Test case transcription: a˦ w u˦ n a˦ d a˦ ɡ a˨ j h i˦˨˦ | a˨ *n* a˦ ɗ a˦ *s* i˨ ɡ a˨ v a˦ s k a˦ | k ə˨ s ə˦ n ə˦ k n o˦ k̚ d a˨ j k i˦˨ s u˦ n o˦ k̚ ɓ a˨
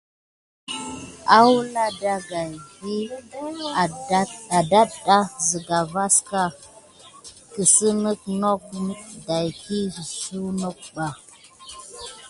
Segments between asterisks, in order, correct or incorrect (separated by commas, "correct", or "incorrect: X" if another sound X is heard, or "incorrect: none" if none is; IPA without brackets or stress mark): incorrect: d, incorrect: z